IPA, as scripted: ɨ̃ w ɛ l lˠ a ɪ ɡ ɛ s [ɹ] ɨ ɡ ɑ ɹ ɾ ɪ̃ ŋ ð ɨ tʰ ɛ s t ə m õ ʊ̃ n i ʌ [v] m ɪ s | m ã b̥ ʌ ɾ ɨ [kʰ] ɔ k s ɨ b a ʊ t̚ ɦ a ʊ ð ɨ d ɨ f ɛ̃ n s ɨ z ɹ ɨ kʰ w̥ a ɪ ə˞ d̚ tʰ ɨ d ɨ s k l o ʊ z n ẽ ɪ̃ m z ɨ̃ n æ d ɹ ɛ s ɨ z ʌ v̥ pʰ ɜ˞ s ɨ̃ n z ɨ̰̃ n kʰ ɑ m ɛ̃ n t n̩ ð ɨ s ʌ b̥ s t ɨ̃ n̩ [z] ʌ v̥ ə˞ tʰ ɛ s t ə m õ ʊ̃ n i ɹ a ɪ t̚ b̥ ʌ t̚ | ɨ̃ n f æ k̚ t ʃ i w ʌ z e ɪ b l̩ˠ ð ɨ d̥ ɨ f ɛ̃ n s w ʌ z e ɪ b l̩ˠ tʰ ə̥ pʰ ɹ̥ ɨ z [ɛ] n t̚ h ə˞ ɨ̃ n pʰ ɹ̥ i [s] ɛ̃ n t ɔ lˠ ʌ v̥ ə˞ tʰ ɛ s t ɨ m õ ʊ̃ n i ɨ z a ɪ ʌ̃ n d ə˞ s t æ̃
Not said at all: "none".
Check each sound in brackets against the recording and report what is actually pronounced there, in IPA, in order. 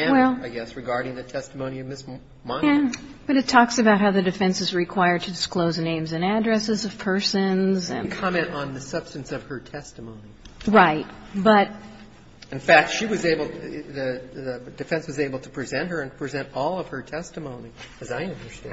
ɹ, v, tʰ, s, ɛ̃, z

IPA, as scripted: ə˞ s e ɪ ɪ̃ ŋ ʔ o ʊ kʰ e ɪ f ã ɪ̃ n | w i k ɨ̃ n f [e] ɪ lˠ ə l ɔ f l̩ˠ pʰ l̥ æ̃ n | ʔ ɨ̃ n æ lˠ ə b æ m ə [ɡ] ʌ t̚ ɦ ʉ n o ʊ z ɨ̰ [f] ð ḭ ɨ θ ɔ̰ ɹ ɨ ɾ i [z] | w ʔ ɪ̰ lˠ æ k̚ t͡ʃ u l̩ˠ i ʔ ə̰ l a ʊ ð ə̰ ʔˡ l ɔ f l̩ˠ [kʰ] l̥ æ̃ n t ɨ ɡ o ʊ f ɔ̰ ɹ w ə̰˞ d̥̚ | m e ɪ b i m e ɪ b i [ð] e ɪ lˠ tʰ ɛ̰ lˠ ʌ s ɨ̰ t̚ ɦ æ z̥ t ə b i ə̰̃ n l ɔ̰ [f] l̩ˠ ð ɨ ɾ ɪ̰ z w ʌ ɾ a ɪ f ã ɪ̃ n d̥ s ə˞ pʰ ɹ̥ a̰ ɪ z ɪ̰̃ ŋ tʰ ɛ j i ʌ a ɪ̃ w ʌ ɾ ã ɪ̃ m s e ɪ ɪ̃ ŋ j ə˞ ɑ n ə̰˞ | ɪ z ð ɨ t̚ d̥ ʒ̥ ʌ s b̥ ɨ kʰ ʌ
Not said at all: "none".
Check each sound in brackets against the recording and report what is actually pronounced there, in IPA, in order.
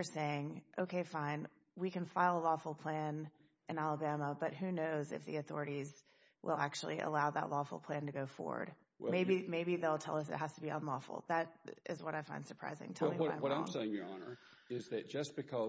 a, b, f, z, pʰ, ð, f

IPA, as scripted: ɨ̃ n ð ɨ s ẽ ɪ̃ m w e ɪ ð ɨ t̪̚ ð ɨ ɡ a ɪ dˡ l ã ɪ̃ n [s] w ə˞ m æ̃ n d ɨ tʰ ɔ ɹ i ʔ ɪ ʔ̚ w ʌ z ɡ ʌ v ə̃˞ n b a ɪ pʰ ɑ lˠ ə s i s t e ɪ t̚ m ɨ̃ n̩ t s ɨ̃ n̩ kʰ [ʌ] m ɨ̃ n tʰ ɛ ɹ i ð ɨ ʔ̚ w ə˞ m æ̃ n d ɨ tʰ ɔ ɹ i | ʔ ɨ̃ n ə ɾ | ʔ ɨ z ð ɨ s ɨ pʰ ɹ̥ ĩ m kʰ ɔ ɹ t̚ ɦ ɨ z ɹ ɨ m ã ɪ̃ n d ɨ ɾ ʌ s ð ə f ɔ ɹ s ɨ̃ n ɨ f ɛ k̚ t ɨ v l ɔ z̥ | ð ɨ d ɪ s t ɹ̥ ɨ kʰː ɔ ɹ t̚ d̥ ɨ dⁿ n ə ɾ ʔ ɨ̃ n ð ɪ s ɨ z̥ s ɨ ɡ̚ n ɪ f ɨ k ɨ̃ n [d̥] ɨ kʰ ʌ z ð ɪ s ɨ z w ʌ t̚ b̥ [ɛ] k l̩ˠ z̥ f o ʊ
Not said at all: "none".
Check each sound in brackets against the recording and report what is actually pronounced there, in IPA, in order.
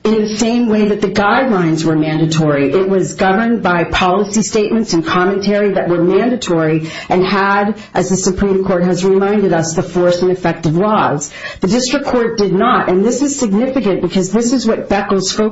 z, ɑ, b̥, ɛ

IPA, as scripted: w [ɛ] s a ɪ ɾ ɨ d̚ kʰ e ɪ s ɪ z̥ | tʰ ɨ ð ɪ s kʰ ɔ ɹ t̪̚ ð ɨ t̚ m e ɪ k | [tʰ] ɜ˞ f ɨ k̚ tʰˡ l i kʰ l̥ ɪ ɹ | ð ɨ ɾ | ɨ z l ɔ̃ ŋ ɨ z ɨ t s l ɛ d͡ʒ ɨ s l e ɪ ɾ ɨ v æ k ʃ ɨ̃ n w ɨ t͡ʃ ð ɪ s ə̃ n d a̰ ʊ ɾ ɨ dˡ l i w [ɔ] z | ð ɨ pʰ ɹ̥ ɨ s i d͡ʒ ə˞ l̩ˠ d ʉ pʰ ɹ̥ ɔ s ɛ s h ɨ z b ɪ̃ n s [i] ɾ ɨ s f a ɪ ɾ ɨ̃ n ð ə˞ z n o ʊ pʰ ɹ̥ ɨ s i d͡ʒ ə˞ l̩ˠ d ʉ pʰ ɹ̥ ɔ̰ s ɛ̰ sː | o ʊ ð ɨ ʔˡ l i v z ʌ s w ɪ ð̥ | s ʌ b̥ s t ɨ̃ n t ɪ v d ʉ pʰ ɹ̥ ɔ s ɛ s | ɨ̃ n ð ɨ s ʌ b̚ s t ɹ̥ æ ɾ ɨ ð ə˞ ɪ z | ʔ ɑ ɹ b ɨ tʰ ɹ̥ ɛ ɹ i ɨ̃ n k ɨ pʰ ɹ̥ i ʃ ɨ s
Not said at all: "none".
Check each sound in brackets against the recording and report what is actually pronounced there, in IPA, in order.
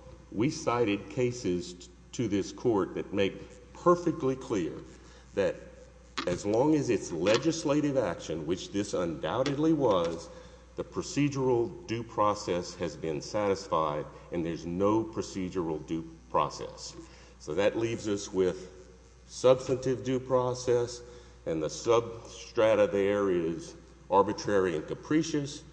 i, pʰ, ʌ, æ

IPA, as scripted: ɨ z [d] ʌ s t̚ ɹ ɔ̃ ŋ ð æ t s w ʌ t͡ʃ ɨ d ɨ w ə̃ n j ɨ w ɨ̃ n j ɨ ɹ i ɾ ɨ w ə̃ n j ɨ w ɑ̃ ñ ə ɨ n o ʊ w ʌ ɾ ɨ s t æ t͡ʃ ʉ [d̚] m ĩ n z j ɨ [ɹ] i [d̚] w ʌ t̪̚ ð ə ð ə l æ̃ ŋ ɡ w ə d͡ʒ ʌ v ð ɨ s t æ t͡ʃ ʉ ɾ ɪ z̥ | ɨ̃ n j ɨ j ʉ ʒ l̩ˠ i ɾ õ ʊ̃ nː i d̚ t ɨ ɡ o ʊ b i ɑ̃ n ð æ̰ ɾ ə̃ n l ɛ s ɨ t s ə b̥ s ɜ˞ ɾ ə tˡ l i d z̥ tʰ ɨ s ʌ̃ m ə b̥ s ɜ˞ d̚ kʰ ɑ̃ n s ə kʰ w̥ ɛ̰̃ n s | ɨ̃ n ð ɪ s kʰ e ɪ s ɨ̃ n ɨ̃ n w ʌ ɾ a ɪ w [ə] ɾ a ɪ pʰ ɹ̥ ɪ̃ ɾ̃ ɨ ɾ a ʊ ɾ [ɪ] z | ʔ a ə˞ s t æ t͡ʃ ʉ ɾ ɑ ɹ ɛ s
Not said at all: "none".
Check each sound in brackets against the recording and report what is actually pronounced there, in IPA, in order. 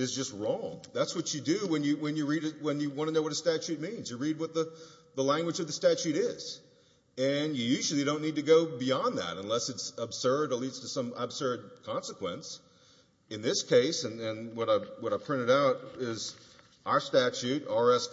d͡ʒ, t̚, ɹ, d̚, ʌ, ɪ

